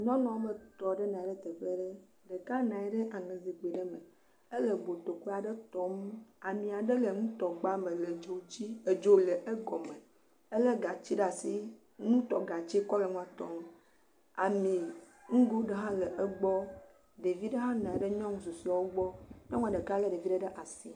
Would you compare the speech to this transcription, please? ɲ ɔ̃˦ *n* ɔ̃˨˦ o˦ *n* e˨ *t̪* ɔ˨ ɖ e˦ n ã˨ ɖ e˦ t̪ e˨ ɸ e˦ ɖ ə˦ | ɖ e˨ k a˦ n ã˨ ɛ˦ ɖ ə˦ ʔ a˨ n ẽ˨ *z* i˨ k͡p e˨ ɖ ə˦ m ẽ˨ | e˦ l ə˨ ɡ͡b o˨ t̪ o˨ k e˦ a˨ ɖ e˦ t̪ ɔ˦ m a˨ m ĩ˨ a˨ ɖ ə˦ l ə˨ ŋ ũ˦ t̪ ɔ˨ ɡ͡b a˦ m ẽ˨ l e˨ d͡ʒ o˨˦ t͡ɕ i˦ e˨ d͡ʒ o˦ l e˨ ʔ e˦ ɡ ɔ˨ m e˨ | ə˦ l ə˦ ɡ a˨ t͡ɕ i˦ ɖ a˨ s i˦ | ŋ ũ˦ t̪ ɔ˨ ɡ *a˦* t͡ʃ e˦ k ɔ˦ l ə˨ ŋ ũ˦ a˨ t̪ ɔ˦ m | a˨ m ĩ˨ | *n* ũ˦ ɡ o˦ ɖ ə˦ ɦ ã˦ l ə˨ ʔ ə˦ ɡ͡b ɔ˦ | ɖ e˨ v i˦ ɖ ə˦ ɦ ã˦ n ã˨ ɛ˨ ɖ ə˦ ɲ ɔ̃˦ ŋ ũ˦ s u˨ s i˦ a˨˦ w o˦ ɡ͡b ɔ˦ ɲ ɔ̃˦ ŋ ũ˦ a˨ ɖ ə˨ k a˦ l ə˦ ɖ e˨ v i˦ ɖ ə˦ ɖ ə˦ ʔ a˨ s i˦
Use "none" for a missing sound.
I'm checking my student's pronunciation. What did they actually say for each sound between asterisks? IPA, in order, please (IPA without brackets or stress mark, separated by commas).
n, m, t̪, z, a˨, ŋ